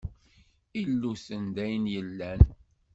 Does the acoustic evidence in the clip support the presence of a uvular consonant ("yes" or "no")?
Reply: no